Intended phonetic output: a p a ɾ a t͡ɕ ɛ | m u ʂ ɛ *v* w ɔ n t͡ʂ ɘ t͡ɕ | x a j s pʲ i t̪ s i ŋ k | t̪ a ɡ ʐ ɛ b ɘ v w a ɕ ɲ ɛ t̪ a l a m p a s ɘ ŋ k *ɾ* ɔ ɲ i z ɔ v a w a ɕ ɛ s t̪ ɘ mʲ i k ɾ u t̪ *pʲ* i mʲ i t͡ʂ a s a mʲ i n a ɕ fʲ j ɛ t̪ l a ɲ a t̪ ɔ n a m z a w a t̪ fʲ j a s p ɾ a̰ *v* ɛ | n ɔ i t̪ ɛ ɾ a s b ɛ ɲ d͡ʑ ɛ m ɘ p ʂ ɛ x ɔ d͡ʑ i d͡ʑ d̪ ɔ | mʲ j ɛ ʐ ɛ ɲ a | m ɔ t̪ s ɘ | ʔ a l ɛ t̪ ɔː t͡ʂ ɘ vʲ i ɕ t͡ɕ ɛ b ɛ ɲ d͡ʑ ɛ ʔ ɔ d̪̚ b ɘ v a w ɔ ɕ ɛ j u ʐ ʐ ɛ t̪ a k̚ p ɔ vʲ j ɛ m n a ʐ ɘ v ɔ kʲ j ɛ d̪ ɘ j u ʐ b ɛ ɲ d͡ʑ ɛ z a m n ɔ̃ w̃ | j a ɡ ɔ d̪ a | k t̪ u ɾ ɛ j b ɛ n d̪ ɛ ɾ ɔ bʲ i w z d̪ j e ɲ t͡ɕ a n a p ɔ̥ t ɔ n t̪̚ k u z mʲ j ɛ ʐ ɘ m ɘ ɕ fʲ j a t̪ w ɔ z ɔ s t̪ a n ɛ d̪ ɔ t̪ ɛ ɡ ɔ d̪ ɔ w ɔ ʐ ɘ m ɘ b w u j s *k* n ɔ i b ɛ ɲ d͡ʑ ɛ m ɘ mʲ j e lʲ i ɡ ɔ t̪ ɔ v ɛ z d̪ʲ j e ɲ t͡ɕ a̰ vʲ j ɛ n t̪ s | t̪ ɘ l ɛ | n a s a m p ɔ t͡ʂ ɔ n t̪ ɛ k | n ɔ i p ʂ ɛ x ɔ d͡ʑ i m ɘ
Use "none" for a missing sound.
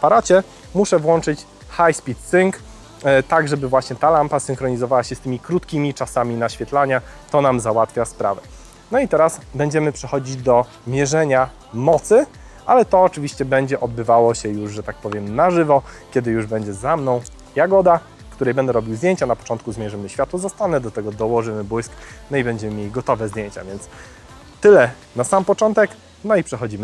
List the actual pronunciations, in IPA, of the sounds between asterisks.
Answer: v, ɾ, kʲ, v, k

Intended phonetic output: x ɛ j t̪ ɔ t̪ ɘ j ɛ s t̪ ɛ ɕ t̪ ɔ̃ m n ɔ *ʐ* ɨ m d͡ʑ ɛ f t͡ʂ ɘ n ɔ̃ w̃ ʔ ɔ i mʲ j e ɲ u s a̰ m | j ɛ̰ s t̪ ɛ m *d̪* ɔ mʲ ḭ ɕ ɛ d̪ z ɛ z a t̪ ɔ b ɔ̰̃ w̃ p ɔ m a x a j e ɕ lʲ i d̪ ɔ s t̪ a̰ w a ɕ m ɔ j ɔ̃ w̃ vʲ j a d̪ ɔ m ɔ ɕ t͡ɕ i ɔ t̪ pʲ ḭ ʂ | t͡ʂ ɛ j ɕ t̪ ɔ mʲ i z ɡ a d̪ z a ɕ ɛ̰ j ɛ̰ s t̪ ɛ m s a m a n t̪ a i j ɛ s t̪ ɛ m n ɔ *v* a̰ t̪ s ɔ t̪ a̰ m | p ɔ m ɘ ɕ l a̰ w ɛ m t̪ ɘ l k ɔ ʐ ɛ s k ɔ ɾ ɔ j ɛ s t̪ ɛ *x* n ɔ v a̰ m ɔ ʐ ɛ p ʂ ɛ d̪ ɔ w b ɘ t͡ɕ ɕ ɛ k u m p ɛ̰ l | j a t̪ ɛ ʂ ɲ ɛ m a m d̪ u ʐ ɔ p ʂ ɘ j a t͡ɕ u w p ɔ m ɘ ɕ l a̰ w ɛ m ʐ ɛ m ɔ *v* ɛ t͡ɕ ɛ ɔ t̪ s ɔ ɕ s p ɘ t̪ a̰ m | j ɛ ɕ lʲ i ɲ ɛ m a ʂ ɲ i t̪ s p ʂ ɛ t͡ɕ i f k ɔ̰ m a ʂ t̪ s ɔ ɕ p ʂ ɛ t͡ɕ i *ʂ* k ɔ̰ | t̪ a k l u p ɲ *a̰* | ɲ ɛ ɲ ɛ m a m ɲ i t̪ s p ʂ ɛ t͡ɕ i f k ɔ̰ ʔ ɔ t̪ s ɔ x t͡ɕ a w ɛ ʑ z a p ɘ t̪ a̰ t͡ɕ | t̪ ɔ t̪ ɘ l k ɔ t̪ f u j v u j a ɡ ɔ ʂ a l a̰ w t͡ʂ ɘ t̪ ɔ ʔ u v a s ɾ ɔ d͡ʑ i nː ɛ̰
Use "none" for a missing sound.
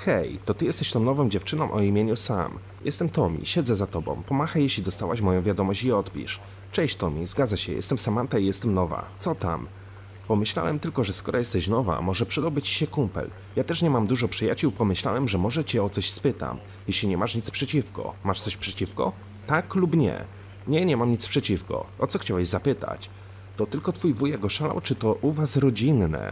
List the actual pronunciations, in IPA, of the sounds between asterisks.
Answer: v, t̪, v, ɕ, ʐ, f, ɛ̰

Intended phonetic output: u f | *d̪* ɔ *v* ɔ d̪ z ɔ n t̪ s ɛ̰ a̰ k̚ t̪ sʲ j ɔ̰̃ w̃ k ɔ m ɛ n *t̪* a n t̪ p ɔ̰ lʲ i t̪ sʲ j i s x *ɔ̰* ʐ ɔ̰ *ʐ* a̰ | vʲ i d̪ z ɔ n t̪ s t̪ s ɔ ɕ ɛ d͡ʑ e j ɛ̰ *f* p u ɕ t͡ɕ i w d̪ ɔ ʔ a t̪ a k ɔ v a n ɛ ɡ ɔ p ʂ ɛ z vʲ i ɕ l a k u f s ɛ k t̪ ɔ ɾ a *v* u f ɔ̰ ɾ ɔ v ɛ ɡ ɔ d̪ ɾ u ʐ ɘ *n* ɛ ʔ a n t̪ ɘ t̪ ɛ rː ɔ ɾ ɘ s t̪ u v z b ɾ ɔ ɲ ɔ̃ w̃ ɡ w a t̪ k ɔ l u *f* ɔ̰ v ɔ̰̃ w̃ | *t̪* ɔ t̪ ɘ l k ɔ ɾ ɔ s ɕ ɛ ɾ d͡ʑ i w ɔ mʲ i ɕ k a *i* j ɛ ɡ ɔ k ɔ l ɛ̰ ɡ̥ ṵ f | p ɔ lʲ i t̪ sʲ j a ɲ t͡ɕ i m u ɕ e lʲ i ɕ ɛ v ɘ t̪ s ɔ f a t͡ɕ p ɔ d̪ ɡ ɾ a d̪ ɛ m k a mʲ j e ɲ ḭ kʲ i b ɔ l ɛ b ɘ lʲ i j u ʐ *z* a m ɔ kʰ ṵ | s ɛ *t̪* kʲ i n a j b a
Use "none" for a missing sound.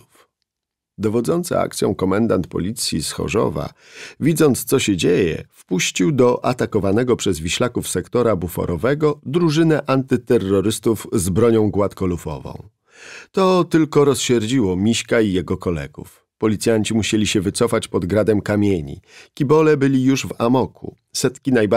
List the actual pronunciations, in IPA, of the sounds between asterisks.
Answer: d̪, v, d̪, ɔ̰, v, f, b, n, f, t̪, i, v, t̪

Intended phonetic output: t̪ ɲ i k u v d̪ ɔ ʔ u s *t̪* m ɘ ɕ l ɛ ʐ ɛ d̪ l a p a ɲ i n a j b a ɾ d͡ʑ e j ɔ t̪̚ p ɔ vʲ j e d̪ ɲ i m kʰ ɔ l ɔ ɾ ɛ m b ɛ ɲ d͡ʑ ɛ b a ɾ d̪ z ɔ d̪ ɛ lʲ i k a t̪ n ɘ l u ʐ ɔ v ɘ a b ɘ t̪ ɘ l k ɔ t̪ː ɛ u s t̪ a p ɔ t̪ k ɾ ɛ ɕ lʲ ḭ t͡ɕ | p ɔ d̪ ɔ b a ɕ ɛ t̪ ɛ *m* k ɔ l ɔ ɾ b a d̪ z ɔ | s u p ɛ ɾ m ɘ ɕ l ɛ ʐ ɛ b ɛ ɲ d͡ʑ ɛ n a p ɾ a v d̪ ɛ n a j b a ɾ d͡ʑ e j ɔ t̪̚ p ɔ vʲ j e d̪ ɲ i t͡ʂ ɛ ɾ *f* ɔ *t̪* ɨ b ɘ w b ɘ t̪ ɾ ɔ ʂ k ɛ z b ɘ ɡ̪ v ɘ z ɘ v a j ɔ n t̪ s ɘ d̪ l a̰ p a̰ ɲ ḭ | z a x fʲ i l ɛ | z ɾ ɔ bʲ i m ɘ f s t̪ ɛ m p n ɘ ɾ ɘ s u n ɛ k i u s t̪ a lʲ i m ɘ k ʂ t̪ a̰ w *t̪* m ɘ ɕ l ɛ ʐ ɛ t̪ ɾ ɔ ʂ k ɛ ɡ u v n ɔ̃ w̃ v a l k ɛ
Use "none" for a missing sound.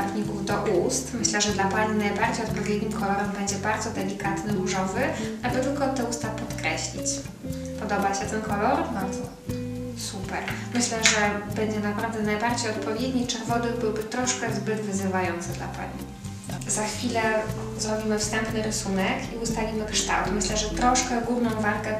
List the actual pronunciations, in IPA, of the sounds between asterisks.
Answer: t̪, n, v, d̪, t̪

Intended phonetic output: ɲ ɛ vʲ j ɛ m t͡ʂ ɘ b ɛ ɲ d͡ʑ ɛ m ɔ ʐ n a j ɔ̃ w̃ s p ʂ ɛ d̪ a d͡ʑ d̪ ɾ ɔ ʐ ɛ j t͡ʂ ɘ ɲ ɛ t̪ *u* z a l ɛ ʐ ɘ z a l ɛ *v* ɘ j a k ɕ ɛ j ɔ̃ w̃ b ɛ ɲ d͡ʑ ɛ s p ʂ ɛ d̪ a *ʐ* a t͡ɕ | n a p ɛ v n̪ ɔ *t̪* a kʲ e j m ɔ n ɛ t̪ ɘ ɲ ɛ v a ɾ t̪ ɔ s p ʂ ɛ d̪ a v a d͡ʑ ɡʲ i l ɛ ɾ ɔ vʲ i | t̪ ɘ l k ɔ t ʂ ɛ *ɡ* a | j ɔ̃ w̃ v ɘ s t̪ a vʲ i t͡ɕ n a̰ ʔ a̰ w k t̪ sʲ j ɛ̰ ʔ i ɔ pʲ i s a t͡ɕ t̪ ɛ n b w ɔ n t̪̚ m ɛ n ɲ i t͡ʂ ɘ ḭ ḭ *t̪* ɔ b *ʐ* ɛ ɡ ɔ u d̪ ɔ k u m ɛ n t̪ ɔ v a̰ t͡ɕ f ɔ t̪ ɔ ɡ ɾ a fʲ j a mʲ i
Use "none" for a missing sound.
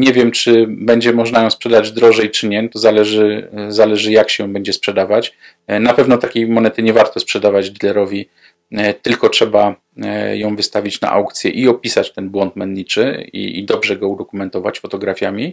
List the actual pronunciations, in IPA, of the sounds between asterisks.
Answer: ɔ, ʐ, v, t̪, b, d̪, ʐ

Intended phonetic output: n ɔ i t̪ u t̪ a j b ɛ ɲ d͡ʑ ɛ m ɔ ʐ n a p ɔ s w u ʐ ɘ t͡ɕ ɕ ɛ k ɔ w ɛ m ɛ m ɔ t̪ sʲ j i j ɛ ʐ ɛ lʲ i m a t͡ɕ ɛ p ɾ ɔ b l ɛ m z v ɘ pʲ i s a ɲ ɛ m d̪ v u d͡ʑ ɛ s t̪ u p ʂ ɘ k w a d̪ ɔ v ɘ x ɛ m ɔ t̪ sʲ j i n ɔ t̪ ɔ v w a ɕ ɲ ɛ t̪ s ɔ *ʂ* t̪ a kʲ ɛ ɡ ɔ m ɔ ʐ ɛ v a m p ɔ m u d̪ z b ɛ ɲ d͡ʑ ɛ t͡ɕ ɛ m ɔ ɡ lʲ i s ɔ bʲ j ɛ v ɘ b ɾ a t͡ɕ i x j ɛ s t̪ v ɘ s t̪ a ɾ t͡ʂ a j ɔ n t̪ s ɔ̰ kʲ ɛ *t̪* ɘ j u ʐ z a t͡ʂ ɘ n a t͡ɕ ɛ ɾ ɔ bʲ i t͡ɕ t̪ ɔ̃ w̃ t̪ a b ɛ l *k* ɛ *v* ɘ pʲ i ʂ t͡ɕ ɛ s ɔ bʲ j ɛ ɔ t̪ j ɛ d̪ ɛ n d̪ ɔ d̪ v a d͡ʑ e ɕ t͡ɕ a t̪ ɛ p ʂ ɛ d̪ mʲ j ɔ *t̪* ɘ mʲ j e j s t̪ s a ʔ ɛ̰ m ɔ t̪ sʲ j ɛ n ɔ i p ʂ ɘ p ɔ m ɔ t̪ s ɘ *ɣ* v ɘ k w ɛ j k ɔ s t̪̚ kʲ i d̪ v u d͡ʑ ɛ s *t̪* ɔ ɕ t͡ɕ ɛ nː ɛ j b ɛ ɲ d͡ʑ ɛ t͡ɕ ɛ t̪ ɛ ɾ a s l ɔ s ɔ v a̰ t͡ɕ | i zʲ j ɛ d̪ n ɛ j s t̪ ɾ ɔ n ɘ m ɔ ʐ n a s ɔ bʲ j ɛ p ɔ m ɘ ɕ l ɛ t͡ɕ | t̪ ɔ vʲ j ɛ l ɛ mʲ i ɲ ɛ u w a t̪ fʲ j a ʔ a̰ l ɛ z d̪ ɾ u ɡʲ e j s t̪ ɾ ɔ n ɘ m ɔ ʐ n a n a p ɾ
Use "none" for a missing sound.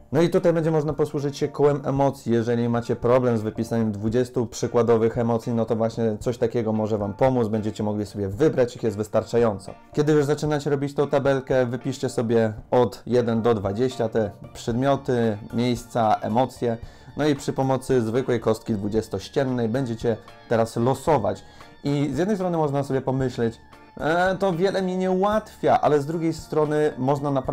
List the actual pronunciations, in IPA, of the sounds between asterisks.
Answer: ɕ, d̪, k, v, t̪, z, t̪

